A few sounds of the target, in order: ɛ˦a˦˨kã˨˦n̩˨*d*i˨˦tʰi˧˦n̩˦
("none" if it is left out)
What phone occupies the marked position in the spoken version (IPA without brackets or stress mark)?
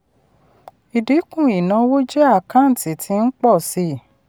t